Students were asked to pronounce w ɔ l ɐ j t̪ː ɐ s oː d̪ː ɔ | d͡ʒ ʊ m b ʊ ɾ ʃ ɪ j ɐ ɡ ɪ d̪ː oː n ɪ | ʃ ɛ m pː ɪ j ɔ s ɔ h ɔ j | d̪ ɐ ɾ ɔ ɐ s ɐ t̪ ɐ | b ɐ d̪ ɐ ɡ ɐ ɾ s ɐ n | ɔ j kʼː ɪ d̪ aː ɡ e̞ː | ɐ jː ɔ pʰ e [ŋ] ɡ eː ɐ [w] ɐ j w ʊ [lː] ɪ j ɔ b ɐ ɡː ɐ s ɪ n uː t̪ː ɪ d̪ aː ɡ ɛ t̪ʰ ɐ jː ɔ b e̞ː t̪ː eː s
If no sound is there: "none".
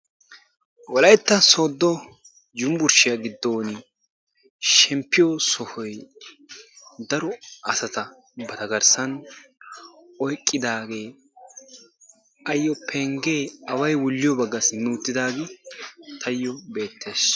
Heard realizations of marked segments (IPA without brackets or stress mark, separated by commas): ŋ, w, lː